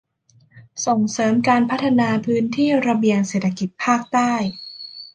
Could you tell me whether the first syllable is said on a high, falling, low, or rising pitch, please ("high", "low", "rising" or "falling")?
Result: low